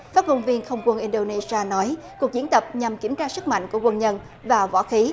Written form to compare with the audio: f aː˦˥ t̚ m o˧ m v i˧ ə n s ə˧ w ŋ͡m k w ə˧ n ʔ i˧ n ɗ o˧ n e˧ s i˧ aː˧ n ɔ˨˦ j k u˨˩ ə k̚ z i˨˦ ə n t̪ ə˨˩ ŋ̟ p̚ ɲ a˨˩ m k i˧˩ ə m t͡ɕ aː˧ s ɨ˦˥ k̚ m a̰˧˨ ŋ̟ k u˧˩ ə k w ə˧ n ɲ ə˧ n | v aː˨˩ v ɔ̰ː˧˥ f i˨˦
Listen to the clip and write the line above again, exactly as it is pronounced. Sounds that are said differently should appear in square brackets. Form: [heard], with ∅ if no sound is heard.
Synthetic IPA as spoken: f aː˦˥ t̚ m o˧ [n] v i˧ ə n [x] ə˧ w ŋ͡m k w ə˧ n ʔ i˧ n ɗ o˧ n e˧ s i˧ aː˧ n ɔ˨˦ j k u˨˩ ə k̚ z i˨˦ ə n t̪ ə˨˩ [∅] p̚ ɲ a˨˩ m k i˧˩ ə m t͡ɕ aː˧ s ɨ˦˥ k̚ m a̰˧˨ ŋ̟ k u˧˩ ə k w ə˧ n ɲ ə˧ n | v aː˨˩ v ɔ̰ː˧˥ [x] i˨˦